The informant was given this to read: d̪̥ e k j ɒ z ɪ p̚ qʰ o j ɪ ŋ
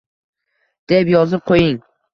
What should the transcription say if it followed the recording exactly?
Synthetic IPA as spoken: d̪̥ e p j ɒ z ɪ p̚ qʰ o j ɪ ŋ